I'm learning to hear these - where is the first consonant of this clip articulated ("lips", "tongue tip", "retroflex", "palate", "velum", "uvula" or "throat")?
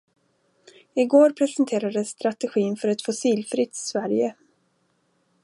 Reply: velum